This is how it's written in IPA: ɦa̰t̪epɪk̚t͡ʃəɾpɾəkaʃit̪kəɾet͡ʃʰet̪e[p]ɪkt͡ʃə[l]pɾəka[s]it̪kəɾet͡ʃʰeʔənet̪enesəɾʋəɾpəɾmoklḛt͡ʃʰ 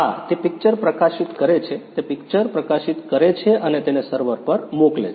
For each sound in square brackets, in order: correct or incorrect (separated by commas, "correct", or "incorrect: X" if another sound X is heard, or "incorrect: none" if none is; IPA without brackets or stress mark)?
correct, incorrect: ɾ, incorrect: ʃ